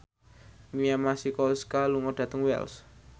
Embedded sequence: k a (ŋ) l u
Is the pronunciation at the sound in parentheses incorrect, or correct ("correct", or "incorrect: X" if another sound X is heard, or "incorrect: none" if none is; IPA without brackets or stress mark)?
incorrect: none